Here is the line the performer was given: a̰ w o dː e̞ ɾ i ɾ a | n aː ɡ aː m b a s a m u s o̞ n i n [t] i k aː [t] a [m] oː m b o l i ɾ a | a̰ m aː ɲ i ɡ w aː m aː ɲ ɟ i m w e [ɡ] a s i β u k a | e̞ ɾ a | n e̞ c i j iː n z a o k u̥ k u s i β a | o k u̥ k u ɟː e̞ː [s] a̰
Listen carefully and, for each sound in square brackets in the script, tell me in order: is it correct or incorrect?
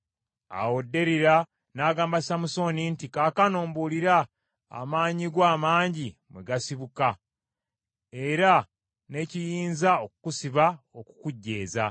correct, incorrect, incorrect, correct, incorrect

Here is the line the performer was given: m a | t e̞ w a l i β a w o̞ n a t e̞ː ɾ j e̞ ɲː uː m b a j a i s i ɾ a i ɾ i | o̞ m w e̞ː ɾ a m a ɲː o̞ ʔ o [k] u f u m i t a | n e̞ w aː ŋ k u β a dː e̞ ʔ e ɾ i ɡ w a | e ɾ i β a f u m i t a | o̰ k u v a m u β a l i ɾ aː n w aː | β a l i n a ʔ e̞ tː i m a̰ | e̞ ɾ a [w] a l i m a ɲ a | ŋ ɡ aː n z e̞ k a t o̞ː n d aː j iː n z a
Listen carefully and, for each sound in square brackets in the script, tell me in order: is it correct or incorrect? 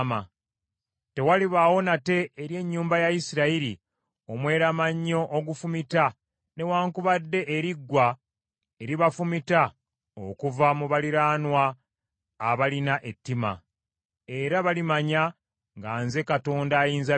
incorrect, incorrect

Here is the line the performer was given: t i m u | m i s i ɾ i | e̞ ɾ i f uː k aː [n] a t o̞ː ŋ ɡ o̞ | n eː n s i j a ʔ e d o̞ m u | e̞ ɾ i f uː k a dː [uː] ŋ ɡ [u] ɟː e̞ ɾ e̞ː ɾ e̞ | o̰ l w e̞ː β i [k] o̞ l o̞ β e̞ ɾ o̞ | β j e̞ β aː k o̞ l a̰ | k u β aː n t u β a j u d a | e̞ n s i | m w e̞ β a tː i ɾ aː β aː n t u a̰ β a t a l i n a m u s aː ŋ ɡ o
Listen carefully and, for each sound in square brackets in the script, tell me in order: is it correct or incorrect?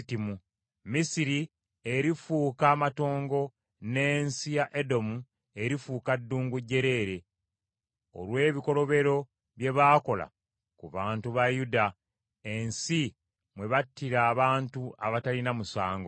incorrect, correct, correct, correct

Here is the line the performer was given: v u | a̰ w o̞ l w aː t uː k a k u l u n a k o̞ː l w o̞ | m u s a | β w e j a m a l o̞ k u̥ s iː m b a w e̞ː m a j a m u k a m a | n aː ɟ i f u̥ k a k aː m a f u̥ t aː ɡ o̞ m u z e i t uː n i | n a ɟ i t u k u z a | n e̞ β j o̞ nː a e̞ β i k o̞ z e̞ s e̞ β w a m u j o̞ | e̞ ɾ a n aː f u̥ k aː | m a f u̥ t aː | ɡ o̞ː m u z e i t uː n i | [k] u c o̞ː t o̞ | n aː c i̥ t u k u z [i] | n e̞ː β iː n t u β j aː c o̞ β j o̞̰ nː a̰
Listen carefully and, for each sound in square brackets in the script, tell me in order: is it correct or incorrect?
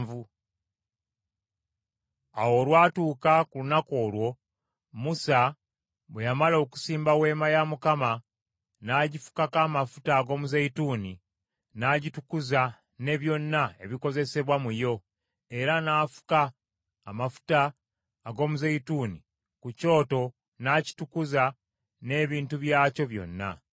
correct, incorrect

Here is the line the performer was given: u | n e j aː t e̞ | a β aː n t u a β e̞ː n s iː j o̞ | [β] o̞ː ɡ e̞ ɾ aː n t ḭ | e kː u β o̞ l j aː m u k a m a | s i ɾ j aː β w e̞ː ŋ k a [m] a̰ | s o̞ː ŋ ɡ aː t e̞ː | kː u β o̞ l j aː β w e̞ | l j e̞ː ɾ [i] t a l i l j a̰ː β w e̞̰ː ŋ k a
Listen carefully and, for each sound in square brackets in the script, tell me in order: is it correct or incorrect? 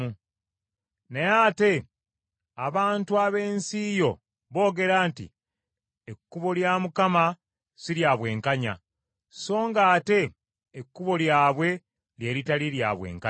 correct, incorrect, correct

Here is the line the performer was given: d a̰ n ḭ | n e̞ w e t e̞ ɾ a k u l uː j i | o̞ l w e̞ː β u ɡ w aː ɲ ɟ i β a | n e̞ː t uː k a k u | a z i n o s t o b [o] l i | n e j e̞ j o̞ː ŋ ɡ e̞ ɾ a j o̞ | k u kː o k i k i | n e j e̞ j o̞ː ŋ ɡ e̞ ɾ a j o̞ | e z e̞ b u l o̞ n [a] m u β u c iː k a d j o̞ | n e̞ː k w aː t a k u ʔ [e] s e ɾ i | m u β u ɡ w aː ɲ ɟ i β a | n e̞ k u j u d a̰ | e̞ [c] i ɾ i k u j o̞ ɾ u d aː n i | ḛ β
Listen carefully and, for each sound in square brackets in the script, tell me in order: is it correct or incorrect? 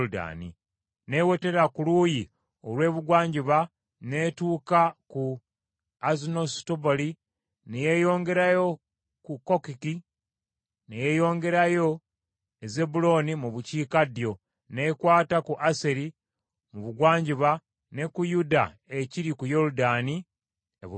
correct, incorrect, incorrect, correct

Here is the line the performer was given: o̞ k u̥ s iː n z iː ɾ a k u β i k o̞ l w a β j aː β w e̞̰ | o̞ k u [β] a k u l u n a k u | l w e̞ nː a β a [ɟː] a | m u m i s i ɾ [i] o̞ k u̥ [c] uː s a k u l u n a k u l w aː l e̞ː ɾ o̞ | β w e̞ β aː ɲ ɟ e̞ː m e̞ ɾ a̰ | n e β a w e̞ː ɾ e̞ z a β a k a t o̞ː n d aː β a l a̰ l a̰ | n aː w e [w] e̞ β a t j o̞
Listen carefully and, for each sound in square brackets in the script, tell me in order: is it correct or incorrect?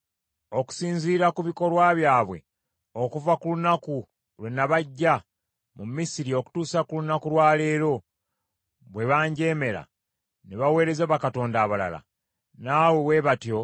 incorrect, correct, correct, incorrect, correct

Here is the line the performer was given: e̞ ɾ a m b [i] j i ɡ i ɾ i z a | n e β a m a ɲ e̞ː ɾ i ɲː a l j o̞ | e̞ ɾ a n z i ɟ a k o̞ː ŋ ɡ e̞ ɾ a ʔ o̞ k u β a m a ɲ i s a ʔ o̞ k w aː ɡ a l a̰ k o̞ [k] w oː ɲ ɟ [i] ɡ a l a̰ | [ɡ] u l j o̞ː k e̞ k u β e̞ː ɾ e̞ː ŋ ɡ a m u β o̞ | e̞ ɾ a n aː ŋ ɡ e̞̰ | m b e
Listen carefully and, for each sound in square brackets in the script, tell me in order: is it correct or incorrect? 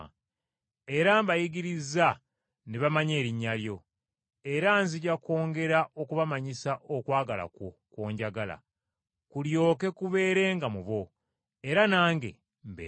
incorrect, correct, incorrect, incorrect

